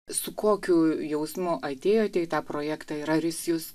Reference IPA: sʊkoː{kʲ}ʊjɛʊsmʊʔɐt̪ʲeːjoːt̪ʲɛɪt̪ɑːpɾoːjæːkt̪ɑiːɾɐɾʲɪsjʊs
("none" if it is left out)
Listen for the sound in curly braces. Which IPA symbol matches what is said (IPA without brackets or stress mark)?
kʲ